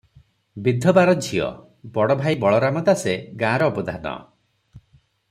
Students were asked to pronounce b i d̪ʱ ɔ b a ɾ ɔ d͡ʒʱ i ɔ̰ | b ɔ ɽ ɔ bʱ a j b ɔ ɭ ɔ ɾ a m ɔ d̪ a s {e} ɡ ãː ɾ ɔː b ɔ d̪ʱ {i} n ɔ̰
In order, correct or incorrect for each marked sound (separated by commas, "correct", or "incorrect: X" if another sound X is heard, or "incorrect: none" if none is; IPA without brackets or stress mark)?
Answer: correct, incorrect: a